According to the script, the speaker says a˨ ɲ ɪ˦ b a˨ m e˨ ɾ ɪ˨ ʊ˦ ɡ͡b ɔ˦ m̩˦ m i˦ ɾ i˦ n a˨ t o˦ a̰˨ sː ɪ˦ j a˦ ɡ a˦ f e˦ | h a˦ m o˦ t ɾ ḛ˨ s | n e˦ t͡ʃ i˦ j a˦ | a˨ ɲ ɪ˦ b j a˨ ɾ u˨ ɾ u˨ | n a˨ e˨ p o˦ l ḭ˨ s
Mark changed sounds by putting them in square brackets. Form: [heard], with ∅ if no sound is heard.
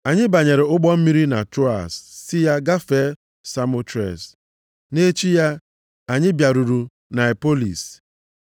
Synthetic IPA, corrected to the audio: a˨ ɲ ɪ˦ b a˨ [ɲ] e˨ ɾ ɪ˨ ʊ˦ ɡ͡b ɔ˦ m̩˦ m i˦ ɾ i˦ n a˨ t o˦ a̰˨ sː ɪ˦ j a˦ ɡ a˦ f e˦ | [s] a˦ m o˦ t ɾ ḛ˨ s | n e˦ t͡ʃ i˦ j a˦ | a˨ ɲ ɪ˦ b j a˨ ɾ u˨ ɾ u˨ | n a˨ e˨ p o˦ l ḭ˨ s